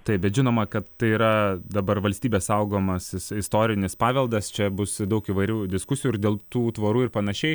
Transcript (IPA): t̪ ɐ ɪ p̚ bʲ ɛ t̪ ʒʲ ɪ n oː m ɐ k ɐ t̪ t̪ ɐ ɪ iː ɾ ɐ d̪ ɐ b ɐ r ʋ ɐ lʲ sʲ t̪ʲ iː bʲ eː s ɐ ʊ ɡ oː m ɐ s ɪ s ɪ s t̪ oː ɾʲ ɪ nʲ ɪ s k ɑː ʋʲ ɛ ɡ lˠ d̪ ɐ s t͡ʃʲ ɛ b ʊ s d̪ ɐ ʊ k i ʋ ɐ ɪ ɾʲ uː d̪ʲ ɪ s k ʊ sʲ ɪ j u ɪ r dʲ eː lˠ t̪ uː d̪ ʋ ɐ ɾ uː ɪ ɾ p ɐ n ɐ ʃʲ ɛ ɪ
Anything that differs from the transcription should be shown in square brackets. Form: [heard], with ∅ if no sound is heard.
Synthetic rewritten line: t̪ ɐ ɪ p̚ bʲ ɛ t̪ ʒʲ ɪ n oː m ɐ k ɐ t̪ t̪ ɐ ɪ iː ɾ ɐ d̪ ɐ b ɐ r ʋ ɐ lʲ sʲ t̪ʲ iː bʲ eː s ɐ ʊ ɡ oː m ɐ s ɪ s ɪ s t̪ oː ɾʲ ɪ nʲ ɪ s [p] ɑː ʋʲ ɛ [∅] lˠ d̪ ɐ s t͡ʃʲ ɛ b ʊ s d̪ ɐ ʊ k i ʋ ɐ ɪ ɾʲ uː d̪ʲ ɪ s k ʊ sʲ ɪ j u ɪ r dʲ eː lˠ t̪ uː [t̪] ʋ ɐ ɾ uː ɪ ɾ p ɐ n ɐ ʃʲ ɛ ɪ